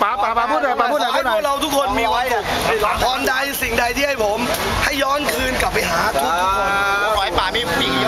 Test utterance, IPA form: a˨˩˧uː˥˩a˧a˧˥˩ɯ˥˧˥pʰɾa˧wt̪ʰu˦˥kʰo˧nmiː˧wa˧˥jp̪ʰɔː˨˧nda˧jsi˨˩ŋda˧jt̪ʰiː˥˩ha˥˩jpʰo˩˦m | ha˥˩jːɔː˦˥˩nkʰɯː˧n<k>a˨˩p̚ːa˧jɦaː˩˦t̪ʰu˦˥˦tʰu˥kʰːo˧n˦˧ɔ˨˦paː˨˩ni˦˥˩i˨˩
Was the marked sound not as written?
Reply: no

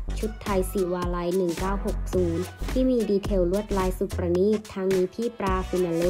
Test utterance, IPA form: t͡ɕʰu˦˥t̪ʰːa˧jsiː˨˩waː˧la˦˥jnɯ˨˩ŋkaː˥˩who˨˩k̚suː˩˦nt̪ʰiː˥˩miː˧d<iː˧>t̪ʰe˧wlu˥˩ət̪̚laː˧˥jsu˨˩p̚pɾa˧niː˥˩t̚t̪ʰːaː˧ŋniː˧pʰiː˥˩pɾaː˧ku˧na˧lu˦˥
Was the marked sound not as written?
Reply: no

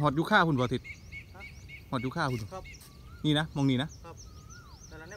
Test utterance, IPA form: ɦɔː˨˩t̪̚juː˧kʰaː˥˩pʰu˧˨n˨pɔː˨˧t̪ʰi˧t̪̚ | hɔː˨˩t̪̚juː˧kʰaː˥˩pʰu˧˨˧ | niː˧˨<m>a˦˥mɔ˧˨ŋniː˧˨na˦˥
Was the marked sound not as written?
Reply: yes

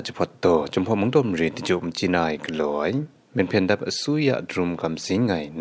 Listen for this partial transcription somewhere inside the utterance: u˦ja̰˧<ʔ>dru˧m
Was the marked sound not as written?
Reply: no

